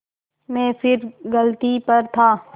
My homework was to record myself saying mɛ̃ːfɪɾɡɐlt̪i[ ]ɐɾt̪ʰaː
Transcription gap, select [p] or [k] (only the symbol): p